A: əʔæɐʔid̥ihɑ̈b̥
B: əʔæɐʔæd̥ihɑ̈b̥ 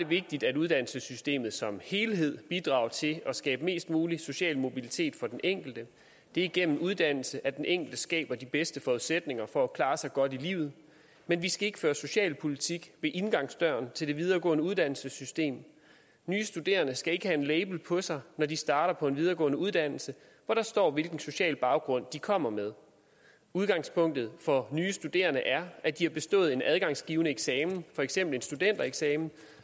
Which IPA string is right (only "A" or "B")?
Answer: B